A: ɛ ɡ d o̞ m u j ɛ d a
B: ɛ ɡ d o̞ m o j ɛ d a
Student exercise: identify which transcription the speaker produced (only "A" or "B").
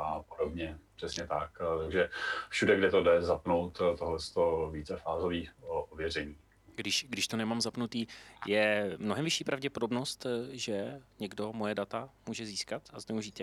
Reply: B